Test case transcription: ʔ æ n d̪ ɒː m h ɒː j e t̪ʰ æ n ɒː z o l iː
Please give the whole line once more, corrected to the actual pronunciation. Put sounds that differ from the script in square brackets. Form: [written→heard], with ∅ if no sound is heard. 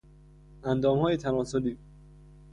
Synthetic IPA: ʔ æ n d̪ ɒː m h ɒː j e t̪ʰ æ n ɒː [z→s] o l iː